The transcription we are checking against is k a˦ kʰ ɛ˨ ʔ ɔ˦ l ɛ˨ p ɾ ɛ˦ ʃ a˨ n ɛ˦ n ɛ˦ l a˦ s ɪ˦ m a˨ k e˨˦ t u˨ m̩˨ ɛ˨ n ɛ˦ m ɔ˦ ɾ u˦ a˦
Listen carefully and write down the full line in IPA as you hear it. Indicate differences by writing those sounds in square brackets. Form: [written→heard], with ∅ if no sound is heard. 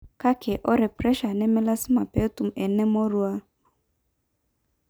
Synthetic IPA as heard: k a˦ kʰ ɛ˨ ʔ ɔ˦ [l→ɾ] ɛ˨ p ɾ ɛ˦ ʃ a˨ n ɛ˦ [n→m] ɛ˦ l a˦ s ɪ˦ m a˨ [k→p] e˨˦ t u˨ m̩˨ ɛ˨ n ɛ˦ m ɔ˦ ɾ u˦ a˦